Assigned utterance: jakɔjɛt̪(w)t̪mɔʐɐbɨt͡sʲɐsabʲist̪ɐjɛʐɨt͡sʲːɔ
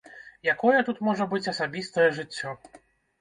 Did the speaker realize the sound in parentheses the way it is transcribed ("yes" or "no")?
no